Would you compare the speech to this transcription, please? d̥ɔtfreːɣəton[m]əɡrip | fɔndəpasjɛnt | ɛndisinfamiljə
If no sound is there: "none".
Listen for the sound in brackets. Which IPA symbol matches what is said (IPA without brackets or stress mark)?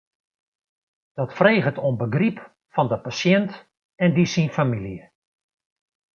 b